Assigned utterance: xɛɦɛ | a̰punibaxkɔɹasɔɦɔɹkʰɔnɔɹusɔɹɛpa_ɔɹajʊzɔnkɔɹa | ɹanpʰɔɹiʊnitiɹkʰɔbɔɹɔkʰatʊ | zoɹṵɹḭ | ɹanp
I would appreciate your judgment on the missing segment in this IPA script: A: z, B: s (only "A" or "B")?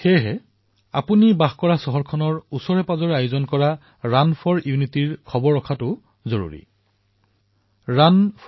A